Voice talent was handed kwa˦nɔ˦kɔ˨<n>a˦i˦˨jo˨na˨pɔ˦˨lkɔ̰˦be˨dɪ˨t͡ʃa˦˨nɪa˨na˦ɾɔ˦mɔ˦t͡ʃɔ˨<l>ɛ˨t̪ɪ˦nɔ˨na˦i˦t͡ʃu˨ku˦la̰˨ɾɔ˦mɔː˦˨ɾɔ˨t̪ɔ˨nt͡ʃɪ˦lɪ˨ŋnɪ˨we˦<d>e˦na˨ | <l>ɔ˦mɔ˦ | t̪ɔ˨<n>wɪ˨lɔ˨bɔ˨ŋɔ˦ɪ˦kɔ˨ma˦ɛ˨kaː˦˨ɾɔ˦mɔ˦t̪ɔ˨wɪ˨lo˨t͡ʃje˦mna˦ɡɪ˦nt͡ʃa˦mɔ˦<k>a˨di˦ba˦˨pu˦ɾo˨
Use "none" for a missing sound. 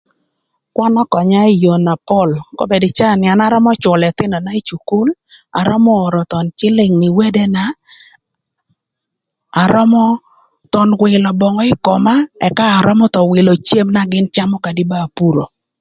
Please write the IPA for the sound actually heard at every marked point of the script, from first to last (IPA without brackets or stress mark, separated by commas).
ɲ, l, d, ɾ, n, k